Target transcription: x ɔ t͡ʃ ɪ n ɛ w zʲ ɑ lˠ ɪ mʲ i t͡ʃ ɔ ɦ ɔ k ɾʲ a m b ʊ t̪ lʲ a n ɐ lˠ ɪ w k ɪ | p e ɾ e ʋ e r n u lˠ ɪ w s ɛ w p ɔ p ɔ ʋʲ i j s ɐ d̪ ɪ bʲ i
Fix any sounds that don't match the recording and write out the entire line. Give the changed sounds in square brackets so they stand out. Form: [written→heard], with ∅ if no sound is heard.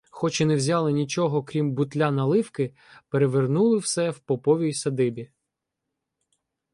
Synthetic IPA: x ɔ t͡ʃ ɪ n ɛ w zʲ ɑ lˠ ɪ [mʲ→nʲ] i t͡ʃ ɔ ɦ ɔ k ɾʲ [a→i] m b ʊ t̪ lʲ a n ɐ lˠ ɪ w k ɪ | p e ɾ e ʋ e r n u lˠ ɪ w s ɛ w p ɔ p ɔ ʋʲ i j s ɐ d̪ ɪ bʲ i

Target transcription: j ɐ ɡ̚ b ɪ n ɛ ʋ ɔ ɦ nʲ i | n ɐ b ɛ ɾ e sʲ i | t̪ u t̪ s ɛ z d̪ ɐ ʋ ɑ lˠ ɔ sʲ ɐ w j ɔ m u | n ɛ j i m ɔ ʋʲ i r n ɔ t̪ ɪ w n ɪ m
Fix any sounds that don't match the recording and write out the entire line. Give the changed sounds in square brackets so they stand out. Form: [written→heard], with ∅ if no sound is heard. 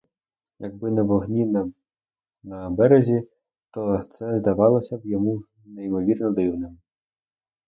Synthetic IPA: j ɐ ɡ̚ b ɪ n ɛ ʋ ɔ ɦ nʲ i | n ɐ b ɛ ɾ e [sʲ→zʲ] i | t̪ [u→ɔ] t̪ s ɛ z d̪ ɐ ʋ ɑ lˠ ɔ sʲ ɐ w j ɔ m u | n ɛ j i m ɔ ʋʲ i r n ɔ [t̪→d̪] ɪ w n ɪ m

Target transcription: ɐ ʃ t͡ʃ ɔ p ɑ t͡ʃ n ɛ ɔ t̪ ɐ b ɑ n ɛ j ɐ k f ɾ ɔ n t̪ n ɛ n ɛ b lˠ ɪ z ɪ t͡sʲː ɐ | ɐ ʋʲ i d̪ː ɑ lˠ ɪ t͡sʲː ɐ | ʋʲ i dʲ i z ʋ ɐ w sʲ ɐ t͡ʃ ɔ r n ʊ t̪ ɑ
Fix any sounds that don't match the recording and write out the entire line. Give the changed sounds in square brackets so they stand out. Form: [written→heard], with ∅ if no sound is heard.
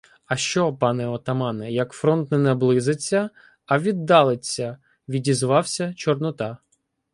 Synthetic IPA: ɐ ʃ t͡ʃ ɔ p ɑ [t͡ʃ→∅] n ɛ ɔ t̪ ɐ [b→m] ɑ n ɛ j ɐ k f ɾ ɔ n t̪ n ɛ n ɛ b lˠ ɪ z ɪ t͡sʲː ɐ | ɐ ʋʲ i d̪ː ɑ lˠ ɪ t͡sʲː ɐ | ʋʲ i dʲ i z ʋ [ɐ→ɑ] w sʲ ɐ t͡ʃ ɔ r n ʊ t̪ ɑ

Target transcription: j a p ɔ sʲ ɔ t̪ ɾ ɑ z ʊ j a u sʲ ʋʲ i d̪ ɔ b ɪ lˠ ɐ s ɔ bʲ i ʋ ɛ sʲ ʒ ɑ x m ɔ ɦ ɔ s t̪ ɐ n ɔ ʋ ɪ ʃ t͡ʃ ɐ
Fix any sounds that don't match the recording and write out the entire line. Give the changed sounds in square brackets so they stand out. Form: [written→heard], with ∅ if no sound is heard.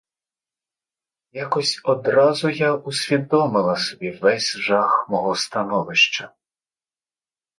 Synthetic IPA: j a [p→k] ɔ sʲ ɔ [t̪→d̪] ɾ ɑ z ʊ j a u sʲ ʋʲ i d̪ ɔ [b→m] ɪ lˠ ɐ s ɔ bʲ i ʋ ɛ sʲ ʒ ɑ x m ɔ ɦ ɔ s t̪ ɐ n ɔ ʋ ɪ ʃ t͡ʃ ɐ

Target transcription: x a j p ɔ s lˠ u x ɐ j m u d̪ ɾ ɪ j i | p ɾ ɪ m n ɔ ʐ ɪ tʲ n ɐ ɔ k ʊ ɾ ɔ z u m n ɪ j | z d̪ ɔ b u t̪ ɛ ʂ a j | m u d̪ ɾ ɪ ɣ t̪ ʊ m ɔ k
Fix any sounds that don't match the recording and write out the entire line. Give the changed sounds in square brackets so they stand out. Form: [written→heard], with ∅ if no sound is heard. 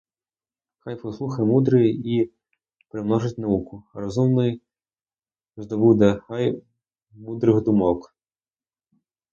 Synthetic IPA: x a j p ɔ s lˠ u x ɐ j m u d̪ ɾ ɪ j i | p ɾ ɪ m n ɔ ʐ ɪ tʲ n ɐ [ɔ→u] k ʊ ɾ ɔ z u m n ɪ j | z d̪ ɔ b u [t̪→d̪] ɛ [ʂ→x] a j | m u d̪ ɾ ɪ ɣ [t̪→d̪] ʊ m ɔ k

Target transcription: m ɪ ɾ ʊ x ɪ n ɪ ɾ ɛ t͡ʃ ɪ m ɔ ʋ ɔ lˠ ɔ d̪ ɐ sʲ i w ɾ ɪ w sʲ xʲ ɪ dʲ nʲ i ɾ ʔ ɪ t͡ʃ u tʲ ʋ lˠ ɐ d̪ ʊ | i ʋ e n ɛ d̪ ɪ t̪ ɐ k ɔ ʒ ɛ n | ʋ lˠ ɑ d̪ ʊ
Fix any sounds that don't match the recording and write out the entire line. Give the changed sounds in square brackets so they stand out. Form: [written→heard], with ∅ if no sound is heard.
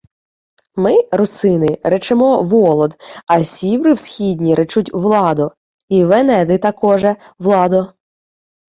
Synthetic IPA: m ɪ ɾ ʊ [x→s] ɪ n ɪ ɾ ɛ t͡ʃ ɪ m ɔ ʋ ɔ lˠ ɔ d̪ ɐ sʲ i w ɾ ɪ w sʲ xʲ [ɪ→i] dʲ nʲ i ɾ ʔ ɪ t͡ʃ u tʲ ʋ lˠ [ɐ→ɑ] d̪ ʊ | i ʋ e n ɛ d̪ ɪ t̪ ɐ k ɔ ʒ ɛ [n→∅] | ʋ lˠ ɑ d̪ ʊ

